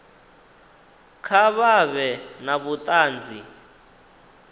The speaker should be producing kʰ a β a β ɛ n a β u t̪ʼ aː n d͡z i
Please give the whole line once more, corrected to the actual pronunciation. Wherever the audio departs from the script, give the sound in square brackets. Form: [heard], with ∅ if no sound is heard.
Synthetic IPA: kʰ a β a β ɛ n a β u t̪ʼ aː n d͡z i